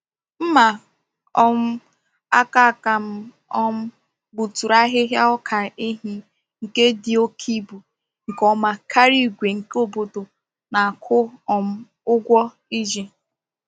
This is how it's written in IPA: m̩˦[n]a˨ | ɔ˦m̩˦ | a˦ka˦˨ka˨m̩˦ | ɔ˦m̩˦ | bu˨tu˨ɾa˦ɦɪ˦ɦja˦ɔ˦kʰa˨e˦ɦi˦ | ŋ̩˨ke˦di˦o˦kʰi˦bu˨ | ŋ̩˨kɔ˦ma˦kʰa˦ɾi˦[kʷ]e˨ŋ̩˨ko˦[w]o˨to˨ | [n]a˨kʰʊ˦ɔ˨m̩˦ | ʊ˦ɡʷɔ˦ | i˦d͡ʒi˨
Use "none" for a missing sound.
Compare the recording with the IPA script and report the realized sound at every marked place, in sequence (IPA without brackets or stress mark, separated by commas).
m, ɡʷ, b, n